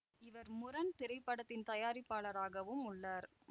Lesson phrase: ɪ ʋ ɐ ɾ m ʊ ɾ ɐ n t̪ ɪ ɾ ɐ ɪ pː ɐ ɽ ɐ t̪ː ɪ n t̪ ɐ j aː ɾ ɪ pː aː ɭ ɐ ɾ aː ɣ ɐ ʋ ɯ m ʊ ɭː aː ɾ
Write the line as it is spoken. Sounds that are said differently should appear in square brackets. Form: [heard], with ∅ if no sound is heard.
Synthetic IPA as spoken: ɪ ʋ ɐ ɾ m ʊ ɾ ɐ n t̪ ɪ ɾ ɐ ɪ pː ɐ ɽ ɐ t̪ː ɪ n t̪ ɐ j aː ɾ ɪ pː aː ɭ ɐ ɾ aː ɣ ɐ ʋ ɯ m ʊ ɭː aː ɾ